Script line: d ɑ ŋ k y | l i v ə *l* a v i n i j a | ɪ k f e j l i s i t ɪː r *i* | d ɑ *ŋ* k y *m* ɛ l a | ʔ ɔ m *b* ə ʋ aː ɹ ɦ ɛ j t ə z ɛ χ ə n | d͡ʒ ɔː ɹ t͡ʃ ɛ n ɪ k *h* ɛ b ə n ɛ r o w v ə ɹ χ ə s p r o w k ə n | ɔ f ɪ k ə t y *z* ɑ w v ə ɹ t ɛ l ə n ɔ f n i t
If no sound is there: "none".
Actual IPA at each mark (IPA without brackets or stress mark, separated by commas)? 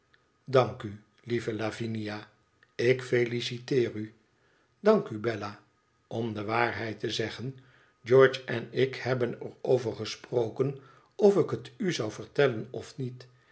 l, y, ŋ, b, d, h, z